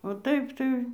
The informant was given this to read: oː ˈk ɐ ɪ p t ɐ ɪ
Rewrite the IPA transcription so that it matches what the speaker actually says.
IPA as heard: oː ˈt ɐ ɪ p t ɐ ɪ